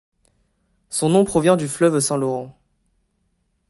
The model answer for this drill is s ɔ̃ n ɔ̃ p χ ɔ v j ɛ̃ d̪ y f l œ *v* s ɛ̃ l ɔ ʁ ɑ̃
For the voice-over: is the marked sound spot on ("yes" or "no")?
yes